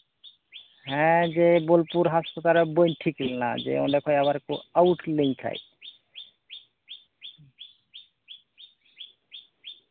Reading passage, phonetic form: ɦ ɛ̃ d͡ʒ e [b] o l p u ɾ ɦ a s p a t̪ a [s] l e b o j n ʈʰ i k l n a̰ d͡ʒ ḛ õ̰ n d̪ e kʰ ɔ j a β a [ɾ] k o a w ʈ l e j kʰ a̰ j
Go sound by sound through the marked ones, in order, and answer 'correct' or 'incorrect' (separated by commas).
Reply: correct, incorrect, correct